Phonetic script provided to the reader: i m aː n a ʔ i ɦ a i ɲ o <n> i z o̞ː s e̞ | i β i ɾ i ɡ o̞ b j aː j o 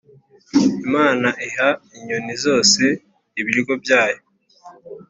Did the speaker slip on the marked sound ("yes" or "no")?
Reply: no